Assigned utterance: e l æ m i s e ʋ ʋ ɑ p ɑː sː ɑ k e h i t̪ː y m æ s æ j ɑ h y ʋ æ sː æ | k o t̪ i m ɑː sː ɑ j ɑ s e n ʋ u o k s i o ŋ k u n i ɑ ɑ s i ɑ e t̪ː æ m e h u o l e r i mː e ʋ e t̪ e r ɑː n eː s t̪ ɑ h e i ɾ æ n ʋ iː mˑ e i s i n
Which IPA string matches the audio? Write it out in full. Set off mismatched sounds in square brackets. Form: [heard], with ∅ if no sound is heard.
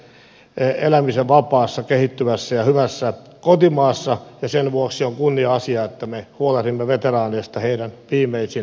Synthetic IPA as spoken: e l æ m i s e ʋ ʋ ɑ p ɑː sː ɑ k e h i t̪ː y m æ [sː] æ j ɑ h y ʋ æ sː æ | k o t̪ i m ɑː sː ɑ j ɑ s e n ʋ u o k s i o ŋ k u [nː] i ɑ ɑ s i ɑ e t̪ː æ m e h u o l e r i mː e ʋ e t̪ e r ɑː n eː s t̪ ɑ h e i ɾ æ n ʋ iː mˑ e i s i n